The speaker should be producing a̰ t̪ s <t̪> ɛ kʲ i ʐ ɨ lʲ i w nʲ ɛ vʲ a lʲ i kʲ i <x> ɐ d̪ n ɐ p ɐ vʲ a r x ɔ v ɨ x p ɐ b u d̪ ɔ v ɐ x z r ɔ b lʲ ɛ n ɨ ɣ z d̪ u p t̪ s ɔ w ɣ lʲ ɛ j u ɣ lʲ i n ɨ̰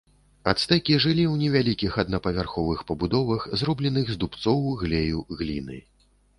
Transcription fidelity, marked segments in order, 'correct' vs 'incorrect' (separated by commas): correct, correct